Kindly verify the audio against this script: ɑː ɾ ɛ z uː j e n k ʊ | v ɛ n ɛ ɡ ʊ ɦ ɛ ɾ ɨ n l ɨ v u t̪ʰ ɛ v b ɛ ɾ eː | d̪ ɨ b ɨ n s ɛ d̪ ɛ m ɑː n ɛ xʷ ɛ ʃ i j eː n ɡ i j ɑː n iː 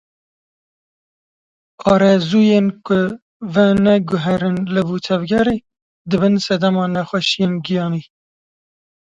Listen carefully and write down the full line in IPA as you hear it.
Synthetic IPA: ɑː ɾ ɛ z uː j e n k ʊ | v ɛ n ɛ ɡ ʊ ɦ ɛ ɾ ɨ n l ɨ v u t̪ʰ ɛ v ɡ ɛ ɾ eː | d̪ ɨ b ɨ n s ɛ d̪ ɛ m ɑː n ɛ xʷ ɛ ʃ i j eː n ɡ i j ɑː n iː